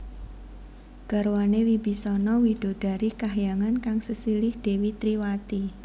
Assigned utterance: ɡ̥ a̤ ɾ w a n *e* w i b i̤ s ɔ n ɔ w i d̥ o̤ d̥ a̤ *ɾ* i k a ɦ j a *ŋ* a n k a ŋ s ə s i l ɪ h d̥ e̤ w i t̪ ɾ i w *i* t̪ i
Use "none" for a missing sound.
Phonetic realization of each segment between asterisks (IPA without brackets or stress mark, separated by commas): e, ɾ, ŋ, a